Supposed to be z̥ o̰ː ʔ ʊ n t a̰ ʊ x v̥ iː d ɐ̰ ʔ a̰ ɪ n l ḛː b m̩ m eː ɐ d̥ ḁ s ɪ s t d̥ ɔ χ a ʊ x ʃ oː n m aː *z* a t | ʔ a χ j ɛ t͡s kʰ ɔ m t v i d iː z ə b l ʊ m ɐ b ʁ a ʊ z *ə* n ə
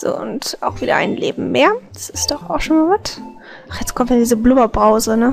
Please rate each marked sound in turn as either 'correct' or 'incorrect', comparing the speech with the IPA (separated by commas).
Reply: incorrect, correct